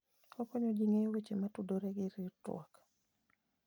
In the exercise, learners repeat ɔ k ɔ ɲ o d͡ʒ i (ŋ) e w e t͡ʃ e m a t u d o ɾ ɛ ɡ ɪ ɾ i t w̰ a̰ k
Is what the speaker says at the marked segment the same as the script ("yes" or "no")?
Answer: yes